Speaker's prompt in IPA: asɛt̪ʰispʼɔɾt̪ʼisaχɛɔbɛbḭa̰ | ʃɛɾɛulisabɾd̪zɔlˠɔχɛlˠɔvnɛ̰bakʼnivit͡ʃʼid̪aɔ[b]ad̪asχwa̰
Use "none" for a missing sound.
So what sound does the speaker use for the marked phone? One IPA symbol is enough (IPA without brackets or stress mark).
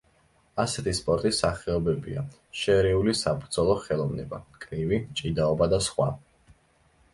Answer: b